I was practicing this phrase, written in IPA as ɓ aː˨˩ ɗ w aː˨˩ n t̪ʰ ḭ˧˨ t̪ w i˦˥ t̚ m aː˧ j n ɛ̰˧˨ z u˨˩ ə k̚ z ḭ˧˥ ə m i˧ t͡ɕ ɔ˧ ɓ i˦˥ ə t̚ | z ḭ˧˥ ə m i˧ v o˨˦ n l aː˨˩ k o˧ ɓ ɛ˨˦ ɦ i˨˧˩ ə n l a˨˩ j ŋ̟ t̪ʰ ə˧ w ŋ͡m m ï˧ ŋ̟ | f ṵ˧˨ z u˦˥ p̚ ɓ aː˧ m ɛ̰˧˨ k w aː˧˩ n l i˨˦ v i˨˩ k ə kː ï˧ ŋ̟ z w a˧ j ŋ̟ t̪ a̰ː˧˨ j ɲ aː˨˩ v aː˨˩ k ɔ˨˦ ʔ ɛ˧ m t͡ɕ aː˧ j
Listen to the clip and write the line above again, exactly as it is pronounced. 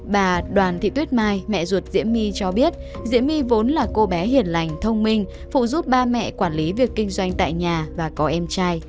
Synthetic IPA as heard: ɓ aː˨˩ ɗ w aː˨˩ n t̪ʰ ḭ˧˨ t̪ w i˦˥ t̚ m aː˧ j m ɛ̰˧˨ z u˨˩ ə t̚ z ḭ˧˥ ə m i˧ t͡ɕ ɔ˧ ɓ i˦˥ ə t̚ | z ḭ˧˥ ə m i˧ v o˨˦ n l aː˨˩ k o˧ ɓ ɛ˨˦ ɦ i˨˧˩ ə n l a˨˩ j ŋ̟ t̪ʰ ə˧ w ŋ͡m m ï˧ ŋ̟ | f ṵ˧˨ z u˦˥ p̚ ɓ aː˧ m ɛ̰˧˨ k w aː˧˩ n l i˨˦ v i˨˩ ə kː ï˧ ŋ̟ z w a˧ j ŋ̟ t̪ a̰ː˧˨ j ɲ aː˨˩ v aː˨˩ k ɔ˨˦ ʔ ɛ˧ m t͡ɕ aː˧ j